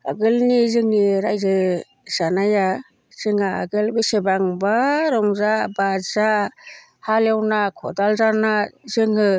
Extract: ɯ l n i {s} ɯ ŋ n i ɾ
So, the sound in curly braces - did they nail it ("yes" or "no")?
no